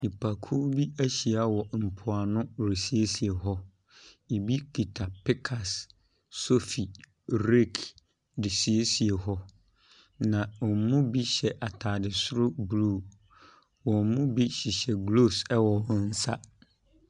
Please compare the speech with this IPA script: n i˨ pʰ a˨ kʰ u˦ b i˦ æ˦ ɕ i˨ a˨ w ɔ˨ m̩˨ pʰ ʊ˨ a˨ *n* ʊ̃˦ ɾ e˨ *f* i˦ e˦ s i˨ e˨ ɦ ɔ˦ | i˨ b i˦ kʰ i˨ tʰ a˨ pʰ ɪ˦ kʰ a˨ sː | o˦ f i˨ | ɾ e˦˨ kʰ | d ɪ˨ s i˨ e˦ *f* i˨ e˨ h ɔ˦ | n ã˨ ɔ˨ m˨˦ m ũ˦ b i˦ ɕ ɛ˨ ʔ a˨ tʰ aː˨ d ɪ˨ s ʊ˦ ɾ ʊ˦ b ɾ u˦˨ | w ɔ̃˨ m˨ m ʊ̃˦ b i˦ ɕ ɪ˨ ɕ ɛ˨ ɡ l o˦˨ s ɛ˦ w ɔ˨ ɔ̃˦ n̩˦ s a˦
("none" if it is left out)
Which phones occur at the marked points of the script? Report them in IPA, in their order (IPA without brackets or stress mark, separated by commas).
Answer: n, s, s